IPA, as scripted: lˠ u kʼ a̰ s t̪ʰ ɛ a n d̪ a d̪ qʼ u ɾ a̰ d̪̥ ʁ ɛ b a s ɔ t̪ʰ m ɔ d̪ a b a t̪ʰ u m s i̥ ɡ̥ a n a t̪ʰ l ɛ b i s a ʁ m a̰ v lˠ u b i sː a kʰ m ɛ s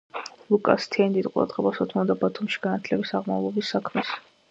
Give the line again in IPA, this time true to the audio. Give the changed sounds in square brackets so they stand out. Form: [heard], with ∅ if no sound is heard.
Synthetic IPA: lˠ u kʼ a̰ s t̪ʰ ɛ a n d̪ [i] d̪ qʼ u ɾ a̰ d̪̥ ʁ ɛ b a s ɔ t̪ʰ m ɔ d̪ a b a t̪ʰ u m [ʃ] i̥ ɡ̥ a n a t̪ʰ l ɛ b i s a ʁ m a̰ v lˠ [ɔ] b i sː a kʰ m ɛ s